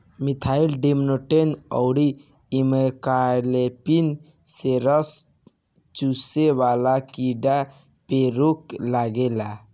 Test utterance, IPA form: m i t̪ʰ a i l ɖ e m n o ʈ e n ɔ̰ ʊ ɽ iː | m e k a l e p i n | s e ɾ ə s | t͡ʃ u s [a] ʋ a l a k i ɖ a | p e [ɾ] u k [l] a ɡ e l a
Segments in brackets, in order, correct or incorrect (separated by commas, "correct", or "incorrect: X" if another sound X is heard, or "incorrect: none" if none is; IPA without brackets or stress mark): incorrect: e, correct, correct